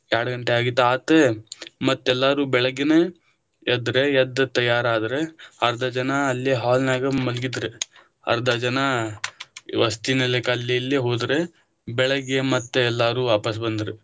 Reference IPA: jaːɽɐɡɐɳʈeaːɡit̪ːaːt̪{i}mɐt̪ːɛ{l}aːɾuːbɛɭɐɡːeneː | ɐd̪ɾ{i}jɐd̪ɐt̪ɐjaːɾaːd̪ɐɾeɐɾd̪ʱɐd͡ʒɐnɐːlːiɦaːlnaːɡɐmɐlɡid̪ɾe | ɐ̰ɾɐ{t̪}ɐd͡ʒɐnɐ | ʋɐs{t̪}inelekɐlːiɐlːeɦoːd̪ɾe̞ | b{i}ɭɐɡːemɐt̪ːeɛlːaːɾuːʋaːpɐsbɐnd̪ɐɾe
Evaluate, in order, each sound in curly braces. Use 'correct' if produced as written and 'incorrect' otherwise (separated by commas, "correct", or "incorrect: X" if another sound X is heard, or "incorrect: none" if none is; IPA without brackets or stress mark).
incorrect: e, incorrect: lː, incorrect: e, incorrect: d̪, correct, incorrect: ɛ